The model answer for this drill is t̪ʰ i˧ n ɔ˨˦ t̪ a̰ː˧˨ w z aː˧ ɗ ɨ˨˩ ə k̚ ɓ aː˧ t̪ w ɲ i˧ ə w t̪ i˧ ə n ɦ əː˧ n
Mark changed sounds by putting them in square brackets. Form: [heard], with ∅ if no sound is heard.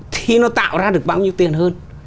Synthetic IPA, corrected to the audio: t̪ʰ i˧ n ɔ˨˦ t̪ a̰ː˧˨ w z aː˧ ɗ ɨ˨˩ ə k̚ ɓ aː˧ [∅] w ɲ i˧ ə w t̪ [i˨˩] ə n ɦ əː˧ n